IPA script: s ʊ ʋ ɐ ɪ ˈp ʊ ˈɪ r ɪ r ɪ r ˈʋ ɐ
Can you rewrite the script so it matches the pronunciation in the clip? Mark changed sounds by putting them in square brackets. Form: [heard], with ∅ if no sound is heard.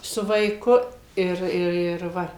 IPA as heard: s ʊ ʋ ɐ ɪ [ˈk] ʊ ˈɪ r ɪ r ɪ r ˈʋ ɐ